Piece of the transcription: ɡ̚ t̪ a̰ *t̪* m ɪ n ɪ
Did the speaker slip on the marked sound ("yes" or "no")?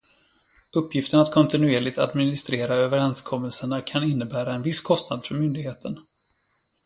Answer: yes